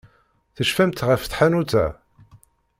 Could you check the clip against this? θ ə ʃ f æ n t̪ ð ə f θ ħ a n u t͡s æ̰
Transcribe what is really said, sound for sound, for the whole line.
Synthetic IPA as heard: θ ə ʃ f æ m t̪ ʁ ə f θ ħ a n u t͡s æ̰